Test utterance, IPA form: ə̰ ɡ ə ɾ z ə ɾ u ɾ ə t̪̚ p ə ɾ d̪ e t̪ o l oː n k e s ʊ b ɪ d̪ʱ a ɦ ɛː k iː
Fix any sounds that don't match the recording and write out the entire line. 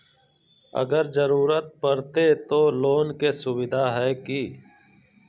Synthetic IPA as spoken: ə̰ ɡ ə ɾ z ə ɾ uː ɾ ə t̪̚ p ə ɾ t̪ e t̪ o l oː n k e s ʊ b ɪ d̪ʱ a ɦ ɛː k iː